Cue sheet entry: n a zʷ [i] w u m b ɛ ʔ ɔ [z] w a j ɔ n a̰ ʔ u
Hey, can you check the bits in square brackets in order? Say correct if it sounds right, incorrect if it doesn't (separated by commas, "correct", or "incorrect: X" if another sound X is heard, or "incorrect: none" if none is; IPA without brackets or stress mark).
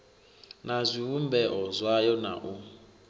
correct, correct